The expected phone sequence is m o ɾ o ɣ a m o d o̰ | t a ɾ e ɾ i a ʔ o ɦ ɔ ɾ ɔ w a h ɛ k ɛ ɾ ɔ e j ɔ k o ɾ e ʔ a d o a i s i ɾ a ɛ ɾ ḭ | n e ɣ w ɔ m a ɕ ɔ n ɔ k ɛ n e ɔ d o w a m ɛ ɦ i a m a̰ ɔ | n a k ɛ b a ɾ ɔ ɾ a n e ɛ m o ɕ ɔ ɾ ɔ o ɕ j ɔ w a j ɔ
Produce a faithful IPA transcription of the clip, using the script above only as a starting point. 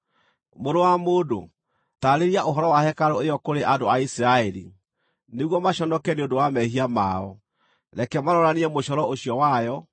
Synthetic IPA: m o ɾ o w a m o d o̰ | t a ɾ e ɾ i a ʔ o ɦ ɔ ɾ ɔ w a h ɛ k a ɾ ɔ e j ɔ k o ɾ e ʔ a d o a i s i ɾ a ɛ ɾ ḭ | n e ɣ w ɔ m a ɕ ɔ n ɔ k ɛ n e o d o w a m ɛ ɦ i a m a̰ ɔ | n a k ɛ m a ɾ ɔ ɾ a n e ɛ m o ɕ ɔ ɾ ɔ o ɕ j ɔ w a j ɔ